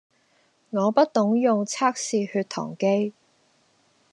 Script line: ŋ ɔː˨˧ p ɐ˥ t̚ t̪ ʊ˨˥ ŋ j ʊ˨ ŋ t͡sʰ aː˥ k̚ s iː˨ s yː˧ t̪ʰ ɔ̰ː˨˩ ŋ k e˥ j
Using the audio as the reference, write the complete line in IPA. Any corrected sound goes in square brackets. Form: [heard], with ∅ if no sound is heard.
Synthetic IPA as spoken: ŋ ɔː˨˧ p ɐ˥ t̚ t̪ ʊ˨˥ ŋ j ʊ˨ ŋ t͡sʰ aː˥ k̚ s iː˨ [h] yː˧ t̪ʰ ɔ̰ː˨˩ ŋ k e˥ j